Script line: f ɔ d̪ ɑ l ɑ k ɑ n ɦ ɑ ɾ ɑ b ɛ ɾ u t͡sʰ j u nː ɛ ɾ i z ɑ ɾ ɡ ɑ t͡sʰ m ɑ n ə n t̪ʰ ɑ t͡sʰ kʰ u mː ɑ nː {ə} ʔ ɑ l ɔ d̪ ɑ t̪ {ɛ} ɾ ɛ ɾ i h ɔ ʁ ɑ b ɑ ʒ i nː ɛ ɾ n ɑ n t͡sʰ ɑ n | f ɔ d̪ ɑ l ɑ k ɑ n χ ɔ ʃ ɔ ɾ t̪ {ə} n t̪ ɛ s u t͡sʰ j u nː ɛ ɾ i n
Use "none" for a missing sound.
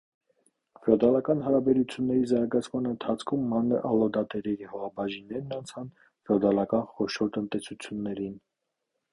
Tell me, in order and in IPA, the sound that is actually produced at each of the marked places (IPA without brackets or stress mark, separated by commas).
ə, ɛ, ə